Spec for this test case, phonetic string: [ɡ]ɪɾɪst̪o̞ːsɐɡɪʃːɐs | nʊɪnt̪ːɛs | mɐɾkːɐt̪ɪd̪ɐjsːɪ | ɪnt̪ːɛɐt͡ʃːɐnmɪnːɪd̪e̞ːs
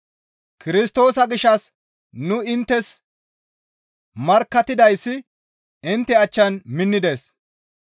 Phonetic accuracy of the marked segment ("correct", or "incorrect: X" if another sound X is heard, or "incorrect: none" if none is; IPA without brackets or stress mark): incorrect: k